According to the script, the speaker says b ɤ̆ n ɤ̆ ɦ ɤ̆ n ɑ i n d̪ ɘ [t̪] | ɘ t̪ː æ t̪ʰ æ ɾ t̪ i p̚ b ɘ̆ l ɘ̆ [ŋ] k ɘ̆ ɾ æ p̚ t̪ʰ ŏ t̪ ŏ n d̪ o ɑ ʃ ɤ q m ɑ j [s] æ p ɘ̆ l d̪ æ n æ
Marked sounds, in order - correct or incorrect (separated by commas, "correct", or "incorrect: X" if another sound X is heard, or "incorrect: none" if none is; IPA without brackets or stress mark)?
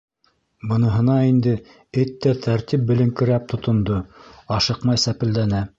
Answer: incorrect: none, correct, correct